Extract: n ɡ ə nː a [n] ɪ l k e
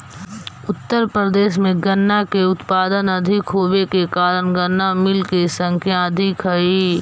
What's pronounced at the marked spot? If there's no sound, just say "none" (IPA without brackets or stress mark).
m